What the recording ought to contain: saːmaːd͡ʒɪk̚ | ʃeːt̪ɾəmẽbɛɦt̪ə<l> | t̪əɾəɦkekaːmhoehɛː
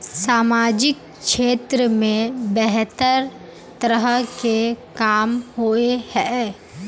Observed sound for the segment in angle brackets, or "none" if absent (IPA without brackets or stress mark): ɾ